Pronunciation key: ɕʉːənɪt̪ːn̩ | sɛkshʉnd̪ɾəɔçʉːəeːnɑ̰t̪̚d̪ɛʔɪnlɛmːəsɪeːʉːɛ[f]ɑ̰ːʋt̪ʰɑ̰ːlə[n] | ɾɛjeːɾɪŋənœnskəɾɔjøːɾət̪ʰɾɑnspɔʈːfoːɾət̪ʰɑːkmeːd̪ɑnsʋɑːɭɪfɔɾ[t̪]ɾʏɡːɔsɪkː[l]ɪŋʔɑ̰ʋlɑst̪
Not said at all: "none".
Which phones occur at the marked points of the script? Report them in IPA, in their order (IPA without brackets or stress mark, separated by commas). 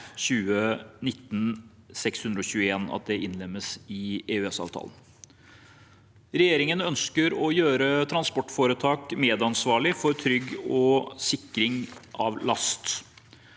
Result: s, n, t̪ʰ, ɾ